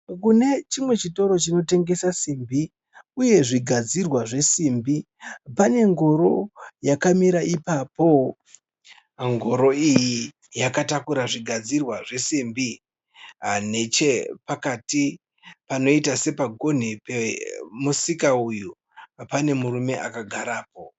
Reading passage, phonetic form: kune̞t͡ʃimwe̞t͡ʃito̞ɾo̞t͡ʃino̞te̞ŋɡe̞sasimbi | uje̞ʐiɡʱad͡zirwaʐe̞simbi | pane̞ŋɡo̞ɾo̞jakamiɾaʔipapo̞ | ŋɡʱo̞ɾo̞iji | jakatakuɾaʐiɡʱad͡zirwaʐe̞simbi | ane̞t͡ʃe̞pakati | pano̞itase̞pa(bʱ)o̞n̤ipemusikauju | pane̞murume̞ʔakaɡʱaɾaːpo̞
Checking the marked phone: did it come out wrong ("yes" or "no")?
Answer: yes